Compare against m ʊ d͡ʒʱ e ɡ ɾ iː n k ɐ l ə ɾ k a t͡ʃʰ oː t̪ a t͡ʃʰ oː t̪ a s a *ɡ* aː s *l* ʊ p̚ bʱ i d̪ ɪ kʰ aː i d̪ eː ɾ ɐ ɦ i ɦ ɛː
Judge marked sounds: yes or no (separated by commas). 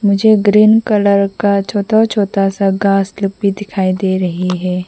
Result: yes, yes